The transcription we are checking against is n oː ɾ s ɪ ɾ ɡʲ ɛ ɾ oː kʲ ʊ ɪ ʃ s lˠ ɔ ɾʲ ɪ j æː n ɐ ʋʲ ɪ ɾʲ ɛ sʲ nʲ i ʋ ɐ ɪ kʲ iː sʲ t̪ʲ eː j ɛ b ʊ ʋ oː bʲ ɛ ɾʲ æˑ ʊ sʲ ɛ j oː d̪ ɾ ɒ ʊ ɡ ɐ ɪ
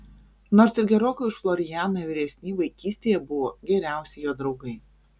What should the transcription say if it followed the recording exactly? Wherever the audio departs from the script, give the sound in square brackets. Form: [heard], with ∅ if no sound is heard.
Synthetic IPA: n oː ɾ s ɪ ɾ ɡʲ ɛ ɾ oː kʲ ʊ ɪ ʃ [f] lˠ ɔ ɾʲ ɪ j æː n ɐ ʋʲ ɪ ɾʲ ɛ sʲ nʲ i ʋ ɐ ɪ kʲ iː sʲ t̪ʲ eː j ɛ b ʊ ʋ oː [ɡʲ] ɛ ɾʲ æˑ ʊ sʲ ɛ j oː d̪ ɾ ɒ ʊ ɡ ɐ ɪ